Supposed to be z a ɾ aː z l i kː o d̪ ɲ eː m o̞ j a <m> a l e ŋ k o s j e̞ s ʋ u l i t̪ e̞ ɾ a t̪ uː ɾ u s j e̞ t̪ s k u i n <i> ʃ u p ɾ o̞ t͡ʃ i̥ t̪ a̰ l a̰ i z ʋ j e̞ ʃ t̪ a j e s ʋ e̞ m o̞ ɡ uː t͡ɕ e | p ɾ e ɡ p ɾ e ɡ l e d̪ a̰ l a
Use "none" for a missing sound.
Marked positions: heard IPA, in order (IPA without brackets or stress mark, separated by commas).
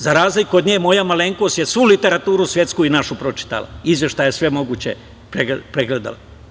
m, a